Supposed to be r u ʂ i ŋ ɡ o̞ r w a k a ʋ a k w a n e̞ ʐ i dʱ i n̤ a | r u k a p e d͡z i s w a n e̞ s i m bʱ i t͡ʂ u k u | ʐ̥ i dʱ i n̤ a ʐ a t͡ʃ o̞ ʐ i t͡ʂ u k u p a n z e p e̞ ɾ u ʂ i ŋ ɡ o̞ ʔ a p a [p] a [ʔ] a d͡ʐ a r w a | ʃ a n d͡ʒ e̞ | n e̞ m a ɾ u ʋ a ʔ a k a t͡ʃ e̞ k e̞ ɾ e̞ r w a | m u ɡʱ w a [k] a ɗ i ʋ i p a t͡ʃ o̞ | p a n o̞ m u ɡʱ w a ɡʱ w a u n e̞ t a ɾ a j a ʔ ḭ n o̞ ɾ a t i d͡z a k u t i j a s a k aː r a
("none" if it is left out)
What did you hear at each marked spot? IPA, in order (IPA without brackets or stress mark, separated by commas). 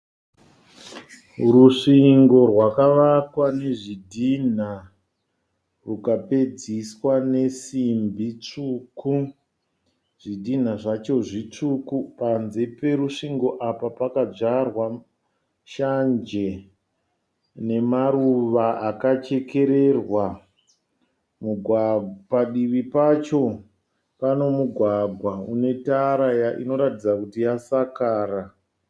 p, k, p